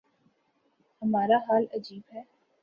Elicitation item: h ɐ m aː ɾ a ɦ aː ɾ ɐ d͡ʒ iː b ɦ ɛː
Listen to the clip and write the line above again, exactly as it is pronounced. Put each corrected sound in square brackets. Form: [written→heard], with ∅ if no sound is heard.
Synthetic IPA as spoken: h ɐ m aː ɾ a ɦ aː [ɾ→l] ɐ d͡ʒ iː b ɦ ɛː